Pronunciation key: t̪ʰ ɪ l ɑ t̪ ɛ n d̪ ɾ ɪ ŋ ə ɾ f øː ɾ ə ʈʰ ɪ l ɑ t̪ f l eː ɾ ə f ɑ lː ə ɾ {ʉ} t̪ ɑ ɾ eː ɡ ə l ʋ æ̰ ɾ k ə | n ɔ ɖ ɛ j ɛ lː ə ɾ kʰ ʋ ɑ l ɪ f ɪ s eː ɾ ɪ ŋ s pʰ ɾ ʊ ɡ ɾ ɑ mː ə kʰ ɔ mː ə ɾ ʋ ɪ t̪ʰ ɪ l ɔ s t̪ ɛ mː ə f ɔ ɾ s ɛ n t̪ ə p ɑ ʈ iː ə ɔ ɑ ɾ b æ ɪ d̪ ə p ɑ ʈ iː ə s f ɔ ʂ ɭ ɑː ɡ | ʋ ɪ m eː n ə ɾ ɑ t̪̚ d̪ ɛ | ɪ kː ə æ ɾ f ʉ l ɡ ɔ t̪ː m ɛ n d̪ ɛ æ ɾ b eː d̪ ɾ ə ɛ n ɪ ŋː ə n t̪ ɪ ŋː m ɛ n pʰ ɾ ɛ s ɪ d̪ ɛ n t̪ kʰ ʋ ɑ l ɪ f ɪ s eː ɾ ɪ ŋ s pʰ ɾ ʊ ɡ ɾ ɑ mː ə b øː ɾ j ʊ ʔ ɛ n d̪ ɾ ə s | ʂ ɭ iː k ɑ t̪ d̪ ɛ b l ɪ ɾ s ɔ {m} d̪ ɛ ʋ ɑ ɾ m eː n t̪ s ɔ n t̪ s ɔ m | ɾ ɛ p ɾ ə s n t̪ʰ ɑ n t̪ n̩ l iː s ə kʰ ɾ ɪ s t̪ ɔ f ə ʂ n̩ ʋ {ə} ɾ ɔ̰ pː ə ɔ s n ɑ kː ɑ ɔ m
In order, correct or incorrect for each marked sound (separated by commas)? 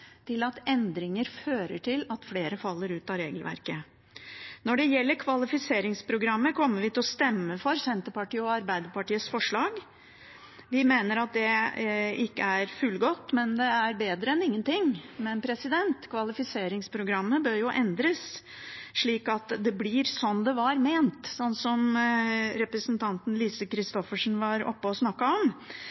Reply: incorrect, incorrect, incorrect